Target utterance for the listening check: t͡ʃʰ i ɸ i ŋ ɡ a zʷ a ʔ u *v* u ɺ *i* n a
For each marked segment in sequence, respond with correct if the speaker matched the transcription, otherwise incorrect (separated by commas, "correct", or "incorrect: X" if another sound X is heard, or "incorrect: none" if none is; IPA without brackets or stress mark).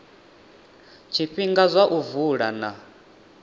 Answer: correct, incorrect: a